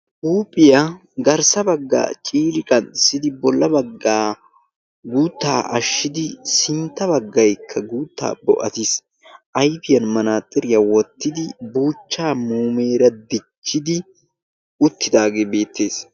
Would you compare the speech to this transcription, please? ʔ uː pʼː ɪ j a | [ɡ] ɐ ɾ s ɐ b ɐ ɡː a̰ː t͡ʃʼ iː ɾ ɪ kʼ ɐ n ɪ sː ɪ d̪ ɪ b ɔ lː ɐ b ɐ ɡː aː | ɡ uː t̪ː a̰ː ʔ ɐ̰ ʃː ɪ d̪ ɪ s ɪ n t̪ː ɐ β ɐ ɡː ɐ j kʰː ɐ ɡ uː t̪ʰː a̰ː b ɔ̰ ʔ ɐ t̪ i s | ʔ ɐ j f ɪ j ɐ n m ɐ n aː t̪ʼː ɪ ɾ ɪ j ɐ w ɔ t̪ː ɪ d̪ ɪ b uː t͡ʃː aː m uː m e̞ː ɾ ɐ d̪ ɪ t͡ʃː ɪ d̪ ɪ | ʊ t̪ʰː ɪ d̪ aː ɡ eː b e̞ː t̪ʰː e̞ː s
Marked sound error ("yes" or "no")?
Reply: no